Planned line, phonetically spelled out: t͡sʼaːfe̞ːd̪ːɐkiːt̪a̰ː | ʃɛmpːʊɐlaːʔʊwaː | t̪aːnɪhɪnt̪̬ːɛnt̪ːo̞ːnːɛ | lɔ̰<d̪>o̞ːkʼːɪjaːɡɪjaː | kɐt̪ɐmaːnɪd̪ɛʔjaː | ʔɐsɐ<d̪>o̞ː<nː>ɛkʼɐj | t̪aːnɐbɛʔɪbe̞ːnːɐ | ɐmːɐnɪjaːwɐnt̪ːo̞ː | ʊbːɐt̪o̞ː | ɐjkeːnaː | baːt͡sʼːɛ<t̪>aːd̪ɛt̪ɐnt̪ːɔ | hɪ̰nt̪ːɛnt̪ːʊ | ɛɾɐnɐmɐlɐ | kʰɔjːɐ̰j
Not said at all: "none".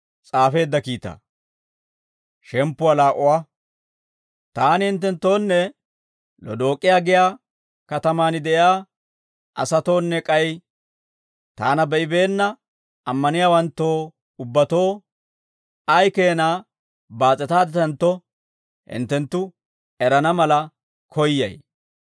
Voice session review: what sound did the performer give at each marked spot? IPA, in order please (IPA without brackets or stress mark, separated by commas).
d̪, t̪, nː, t̪